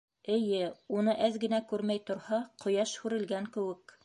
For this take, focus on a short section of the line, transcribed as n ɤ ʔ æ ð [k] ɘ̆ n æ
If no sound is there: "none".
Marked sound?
ɡ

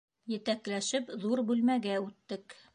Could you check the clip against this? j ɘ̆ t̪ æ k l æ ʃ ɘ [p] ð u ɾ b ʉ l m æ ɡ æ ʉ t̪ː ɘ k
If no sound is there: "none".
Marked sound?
p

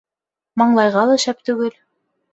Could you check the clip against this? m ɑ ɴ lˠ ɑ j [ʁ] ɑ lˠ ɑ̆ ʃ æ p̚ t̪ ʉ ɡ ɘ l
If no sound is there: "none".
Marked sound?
ʁ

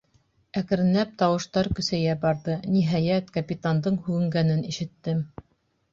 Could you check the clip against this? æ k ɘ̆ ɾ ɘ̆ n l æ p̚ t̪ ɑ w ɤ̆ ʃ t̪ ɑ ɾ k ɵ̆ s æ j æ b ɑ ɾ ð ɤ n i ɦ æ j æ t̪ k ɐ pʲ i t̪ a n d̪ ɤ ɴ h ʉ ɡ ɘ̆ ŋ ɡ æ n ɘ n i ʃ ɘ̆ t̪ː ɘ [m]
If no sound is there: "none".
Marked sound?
m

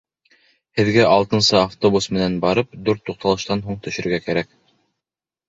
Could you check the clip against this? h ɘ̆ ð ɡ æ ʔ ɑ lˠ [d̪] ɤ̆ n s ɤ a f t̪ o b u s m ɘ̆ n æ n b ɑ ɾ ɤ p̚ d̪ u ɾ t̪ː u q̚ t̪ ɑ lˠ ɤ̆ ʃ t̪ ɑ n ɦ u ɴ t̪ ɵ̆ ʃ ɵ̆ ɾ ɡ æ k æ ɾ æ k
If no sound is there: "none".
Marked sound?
t̪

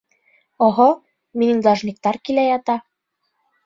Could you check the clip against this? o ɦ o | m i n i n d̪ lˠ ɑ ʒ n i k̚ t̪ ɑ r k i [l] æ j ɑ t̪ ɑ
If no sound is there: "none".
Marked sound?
l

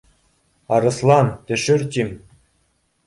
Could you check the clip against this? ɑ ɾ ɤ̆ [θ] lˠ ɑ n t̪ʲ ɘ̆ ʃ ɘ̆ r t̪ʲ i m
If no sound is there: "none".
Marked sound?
s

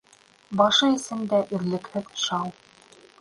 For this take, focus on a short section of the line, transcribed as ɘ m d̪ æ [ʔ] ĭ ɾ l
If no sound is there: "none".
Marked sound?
ʔ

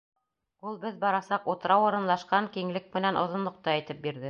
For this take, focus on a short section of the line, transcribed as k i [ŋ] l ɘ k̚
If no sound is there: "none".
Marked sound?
ŋ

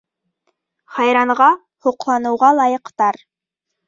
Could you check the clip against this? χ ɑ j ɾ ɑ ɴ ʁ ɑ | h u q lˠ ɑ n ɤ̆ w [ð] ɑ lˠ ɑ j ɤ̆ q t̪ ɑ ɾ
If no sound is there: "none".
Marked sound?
ʁ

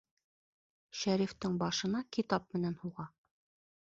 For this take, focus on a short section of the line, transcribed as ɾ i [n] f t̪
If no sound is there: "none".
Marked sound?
none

